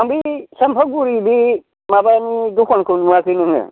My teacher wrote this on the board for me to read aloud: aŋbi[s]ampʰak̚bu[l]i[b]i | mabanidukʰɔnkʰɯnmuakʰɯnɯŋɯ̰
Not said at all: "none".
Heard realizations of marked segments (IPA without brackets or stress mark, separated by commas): s, ɾ, b